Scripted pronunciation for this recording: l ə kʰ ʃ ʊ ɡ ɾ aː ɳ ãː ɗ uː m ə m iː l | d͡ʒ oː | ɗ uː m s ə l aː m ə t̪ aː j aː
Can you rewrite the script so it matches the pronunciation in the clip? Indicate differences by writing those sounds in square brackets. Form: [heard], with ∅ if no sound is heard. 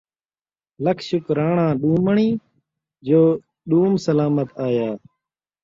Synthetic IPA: l ə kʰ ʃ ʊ [k] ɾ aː ɳ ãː ɗ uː m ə [ɳ] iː [∅] | d͡ʒ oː | ɗ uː m s ə l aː m ə t̪ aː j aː